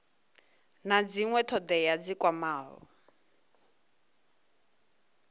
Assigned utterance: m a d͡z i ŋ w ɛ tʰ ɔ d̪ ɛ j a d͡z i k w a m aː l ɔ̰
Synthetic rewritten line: n a d͡z i ŋ w ɛ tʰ ɔ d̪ ɛ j a d͡z i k w a m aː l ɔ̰